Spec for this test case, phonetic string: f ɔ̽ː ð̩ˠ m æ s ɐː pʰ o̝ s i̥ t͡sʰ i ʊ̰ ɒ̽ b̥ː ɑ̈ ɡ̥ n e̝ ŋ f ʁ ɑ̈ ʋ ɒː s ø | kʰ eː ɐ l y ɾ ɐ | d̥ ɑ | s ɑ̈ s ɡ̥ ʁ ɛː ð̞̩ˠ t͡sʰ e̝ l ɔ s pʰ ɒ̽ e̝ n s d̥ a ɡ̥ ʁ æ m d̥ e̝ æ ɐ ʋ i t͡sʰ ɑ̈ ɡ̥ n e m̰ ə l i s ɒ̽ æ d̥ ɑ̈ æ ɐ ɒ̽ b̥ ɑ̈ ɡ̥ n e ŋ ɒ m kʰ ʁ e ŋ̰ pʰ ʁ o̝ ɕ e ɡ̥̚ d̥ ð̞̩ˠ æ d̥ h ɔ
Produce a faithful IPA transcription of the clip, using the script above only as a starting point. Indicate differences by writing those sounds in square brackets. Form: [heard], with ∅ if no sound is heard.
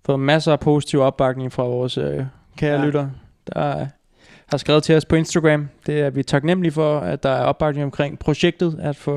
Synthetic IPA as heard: f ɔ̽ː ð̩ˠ m æ s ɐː pʰ o̝ s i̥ t͡sʰ i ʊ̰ ɒ̽ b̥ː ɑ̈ ɡ̥ n e̝ ŋ f ʁ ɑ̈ ʋ ɒː s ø | kʰ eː ɐ l y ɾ ɐ | d̥ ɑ | [h] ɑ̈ s ɡ̥ ʁ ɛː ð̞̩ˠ t͡sʰ e̝ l [ɒ] s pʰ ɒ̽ e̝ n s d̥ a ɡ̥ ʁ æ m d̥ e̝ æ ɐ ʋ i t͡sʰ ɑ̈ ɡ̥ n e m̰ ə l i [f] ɒ̽ æ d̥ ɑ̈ æ ɐ ɒ̽ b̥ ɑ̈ ɡ̥ n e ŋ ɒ m kʰ ʁ e ŋ̰ pʰ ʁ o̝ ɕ e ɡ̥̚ d̥ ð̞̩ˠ æ d̥ [f] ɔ